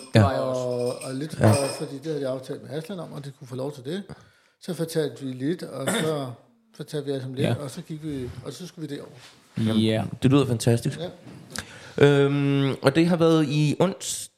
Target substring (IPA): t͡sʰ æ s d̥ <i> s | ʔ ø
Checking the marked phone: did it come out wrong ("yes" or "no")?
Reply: no